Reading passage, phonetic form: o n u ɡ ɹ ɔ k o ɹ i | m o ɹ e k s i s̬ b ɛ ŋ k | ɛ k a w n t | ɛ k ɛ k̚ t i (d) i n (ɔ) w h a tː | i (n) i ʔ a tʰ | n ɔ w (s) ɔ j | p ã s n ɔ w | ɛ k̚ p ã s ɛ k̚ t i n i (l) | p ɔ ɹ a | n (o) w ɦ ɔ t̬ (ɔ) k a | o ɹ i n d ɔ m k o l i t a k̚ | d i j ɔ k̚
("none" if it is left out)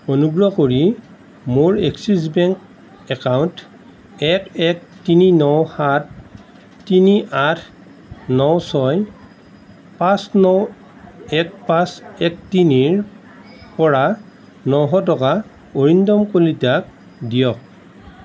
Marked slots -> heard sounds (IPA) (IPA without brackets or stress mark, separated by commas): n, ɔ, n, s, ɹ, ɔ, ɔ